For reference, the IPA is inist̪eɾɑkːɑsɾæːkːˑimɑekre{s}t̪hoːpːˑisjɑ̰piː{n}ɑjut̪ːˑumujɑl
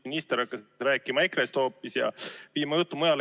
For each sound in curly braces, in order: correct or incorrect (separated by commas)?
correct, incorrect